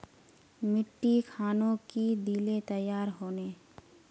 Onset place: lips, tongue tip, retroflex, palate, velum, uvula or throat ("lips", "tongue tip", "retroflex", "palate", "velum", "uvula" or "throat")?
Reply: lips